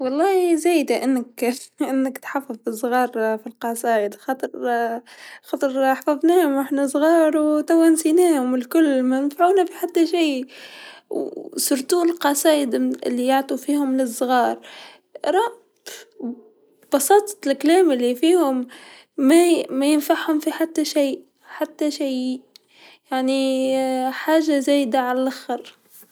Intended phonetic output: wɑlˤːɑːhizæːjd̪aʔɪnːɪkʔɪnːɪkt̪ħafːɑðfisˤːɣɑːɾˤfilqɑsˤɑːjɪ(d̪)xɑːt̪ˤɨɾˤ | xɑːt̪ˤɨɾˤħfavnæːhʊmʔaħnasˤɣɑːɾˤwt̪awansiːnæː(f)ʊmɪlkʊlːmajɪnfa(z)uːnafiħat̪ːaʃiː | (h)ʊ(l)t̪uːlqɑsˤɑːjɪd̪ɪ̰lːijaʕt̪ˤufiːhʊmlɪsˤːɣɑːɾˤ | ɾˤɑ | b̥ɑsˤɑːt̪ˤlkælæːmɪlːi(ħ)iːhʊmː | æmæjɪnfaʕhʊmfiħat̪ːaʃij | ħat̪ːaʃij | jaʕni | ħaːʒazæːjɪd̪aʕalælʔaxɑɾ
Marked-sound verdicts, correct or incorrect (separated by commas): correct, incorrect, incorrect, incorrect, incorrect, incorrect